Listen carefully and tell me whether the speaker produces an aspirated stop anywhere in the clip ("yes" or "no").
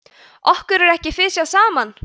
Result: no